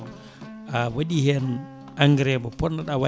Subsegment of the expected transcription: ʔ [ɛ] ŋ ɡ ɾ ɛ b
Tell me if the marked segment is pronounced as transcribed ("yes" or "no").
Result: no